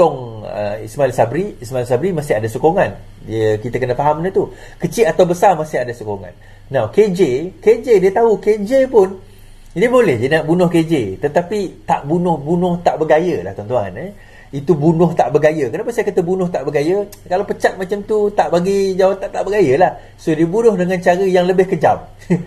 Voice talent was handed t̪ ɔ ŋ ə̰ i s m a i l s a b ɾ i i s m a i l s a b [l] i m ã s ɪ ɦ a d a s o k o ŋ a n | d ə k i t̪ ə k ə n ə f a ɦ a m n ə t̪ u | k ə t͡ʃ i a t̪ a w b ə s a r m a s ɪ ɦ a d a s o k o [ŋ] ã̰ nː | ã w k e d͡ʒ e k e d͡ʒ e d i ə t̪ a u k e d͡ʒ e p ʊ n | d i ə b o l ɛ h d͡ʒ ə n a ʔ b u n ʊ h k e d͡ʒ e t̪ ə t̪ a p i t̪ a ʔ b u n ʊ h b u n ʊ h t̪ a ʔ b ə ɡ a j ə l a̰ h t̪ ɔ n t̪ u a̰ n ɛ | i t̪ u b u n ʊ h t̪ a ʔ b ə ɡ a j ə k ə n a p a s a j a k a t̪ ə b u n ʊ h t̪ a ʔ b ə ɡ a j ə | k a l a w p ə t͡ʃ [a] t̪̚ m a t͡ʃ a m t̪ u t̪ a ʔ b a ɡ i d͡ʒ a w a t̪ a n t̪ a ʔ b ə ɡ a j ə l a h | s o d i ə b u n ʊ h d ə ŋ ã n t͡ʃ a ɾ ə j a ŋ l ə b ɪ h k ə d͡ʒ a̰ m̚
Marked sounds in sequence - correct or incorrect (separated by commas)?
incorrect, correct, correct